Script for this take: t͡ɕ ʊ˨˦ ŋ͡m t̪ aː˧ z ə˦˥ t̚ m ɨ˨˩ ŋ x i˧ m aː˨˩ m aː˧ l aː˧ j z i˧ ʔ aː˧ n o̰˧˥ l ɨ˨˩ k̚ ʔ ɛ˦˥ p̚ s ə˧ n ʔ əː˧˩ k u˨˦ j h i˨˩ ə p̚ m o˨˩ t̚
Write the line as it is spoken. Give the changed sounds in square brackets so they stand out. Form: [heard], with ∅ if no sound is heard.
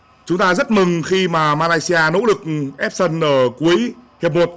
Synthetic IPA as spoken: t͡ɕ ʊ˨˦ ŋ͡m t̪ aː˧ z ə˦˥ t̚ m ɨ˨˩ ŋ x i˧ m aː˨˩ m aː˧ l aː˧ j [s] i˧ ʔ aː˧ n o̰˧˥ l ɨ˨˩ k̚ ʔ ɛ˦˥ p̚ s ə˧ n ʔ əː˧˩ k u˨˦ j h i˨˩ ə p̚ m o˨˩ t̚